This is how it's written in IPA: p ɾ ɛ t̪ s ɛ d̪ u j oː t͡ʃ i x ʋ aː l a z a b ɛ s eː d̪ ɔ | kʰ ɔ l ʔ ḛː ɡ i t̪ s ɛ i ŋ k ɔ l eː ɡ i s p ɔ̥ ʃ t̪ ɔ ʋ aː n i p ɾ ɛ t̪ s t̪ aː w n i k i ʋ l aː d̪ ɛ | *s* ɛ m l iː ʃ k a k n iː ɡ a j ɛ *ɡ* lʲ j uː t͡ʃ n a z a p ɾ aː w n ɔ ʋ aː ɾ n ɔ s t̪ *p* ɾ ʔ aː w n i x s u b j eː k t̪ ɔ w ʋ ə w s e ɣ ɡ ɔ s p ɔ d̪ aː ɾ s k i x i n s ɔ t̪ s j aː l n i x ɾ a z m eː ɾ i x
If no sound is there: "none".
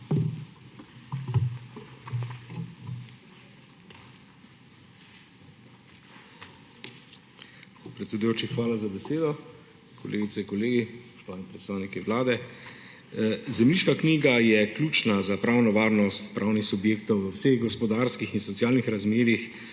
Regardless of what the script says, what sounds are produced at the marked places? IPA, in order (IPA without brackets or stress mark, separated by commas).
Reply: z, k, p